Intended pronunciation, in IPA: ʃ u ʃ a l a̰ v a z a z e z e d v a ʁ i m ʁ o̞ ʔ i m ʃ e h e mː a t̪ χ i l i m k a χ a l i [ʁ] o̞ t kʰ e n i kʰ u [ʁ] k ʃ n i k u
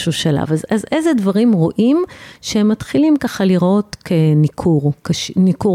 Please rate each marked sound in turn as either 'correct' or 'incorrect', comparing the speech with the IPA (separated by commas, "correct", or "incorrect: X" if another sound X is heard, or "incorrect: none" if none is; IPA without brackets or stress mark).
correct, correct